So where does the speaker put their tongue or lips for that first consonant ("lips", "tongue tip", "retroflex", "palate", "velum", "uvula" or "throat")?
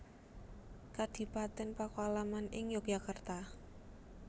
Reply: velum